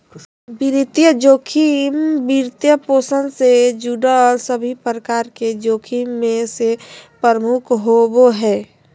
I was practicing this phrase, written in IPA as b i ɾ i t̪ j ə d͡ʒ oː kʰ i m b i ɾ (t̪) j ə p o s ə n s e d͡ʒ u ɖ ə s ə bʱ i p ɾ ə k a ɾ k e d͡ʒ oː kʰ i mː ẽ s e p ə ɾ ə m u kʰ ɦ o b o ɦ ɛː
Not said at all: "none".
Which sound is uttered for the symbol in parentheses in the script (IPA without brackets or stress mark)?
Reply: t̪